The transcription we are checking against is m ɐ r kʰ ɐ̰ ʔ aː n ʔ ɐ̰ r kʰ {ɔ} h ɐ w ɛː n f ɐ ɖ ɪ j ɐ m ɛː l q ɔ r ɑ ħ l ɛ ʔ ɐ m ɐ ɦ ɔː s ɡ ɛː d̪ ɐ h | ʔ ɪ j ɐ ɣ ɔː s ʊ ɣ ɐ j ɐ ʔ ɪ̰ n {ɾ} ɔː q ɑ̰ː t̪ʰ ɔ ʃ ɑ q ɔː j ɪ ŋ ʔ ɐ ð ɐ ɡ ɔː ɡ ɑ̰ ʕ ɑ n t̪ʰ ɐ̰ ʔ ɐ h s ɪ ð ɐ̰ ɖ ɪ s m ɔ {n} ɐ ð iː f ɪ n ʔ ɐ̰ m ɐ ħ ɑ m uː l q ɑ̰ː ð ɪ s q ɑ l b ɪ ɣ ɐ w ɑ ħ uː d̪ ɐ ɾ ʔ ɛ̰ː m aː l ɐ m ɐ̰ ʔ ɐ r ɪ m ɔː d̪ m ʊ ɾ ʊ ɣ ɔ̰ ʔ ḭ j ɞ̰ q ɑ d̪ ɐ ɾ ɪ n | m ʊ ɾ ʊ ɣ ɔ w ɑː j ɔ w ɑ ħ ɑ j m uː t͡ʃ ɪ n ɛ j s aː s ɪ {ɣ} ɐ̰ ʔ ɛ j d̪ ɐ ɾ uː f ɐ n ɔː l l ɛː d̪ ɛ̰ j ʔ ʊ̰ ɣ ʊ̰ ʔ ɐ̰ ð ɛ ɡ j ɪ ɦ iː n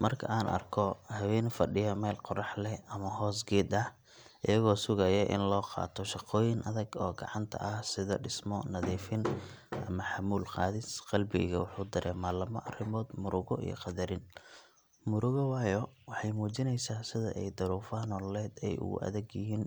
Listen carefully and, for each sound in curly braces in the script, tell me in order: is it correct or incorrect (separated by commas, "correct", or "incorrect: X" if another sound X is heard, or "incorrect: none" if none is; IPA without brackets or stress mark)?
correct, incorrect: l, correct, incorrect: ð